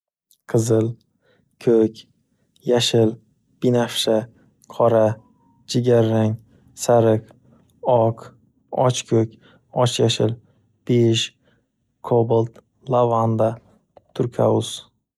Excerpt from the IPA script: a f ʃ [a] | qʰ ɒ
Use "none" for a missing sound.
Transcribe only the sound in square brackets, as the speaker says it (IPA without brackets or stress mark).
a